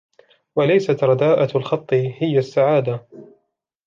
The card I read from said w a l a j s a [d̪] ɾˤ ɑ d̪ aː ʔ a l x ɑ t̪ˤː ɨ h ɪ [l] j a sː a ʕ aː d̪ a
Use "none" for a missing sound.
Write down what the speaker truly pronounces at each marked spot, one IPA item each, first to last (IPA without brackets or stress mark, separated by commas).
t̪, none